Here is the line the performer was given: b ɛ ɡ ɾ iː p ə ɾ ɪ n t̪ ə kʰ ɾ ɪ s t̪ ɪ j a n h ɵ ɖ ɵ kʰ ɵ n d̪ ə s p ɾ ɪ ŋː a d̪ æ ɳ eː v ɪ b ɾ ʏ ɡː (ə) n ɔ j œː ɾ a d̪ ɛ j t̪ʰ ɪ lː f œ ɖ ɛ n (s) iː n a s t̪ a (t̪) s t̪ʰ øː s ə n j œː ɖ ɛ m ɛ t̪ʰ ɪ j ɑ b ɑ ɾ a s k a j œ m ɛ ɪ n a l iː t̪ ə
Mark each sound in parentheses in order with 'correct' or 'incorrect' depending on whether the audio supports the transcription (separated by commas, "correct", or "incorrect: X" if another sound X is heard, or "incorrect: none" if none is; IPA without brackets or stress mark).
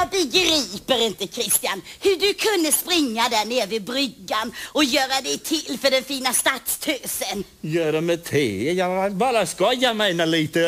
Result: incorrect: a, incorrect: f, correct